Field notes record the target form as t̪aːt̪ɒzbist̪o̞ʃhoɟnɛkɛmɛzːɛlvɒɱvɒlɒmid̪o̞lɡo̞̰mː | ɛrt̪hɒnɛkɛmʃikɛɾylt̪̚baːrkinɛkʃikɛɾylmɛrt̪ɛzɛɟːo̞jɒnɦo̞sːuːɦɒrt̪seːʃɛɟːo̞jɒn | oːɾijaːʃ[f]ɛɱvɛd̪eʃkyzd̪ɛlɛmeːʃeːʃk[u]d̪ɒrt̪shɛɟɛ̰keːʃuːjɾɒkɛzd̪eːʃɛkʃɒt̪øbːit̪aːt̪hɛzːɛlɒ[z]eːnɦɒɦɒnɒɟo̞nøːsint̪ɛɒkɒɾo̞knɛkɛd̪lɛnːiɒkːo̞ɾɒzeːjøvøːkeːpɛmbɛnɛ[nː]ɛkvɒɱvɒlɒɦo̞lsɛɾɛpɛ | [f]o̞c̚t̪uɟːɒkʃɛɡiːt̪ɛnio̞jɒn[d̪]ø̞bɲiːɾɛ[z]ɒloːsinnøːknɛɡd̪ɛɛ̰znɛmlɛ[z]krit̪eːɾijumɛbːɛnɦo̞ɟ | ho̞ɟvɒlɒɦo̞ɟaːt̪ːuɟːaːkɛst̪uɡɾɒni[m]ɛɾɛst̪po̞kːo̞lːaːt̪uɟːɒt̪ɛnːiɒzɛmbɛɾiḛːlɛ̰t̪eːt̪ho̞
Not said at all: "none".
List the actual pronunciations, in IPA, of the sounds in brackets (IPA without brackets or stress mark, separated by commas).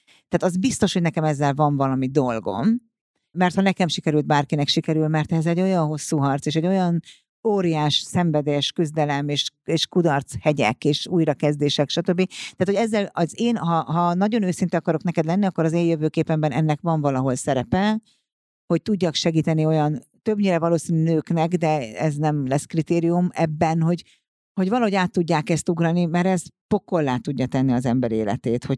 s, u, z, nː, h, t̪, v, s, m